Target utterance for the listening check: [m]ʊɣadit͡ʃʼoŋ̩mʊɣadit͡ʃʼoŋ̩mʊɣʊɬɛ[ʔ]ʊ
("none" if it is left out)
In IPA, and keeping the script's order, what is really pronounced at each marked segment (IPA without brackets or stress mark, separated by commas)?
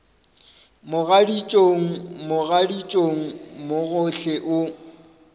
m, ʔ